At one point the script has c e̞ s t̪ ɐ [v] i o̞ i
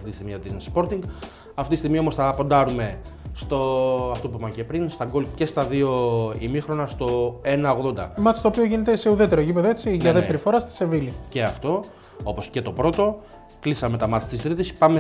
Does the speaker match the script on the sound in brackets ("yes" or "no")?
no